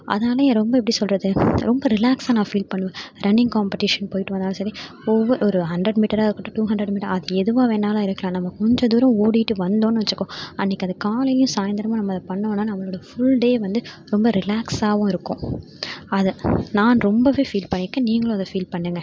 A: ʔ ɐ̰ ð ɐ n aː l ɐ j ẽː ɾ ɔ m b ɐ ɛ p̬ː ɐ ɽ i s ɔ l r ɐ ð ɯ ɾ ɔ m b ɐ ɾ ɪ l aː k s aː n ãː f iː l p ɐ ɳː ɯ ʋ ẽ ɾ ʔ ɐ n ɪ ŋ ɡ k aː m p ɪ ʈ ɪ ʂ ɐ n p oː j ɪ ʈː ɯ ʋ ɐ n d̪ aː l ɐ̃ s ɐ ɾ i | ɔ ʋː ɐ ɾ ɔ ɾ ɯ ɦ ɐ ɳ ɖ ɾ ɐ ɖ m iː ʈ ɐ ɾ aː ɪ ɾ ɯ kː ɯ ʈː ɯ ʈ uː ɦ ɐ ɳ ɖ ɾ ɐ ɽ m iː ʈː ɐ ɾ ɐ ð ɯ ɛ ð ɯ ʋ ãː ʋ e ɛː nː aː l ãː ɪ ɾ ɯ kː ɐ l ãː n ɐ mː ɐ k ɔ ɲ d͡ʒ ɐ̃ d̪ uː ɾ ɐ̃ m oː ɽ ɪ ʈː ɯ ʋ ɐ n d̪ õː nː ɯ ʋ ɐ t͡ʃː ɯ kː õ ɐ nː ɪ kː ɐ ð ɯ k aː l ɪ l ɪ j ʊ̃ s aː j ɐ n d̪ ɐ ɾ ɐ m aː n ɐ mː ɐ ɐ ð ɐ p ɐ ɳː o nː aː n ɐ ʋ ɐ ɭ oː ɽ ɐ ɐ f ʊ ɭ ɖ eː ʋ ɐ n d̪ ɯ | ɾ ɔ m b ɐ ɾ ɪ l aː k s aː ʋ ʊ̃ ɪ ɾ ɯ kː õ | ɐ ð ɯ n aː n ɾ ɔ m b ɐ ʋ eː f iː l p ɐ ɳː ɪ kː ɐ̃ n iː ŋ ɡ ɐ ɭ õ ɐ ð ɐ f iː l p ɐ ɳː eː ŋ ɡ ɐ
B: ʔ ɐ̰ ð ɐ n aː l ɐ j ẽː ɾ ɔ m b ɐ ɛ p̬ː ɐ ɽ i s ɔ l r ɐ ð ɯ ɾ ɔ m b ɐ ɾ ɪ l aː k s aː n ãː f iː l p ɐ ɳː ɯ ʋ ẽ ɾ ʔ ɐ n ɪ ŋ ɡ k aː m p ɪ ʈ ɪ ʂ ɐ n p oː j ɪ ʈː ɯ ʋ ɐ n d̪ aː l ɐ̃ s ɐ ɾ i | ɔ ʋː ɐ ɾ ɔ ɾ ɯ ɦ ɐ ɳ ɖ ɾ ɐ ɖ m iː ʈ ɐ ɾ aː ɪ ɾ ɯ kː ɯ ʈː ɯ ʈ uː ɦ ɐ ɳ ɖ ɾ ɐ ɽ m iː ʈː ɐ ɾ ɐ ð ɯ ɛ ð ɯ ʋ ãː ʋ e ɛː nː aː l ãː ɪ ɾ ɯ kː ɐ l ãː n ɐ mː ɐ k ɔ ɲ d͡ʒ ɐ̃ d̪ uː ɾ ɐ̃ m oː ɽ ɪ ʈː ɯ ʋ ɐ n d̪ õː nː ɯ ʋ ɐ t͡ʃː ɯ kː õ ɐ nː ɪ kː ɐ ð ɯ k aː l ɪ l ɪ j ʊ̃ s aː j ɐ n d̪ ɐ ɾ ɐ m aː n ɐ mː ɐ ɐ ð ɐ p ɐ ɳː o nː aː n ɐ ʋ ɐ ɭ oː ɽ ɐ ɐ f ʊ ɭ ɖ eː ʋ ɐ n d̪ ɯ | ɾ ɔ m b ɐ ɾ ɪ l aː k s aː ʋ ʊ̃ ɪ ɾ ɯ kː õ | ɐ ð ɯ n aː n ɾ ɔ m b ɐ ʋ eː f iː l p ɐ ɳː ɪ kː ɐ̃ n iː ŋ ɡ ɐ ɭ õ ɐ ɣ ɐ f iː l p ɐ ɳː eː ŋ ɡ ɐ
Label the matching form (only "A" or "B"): A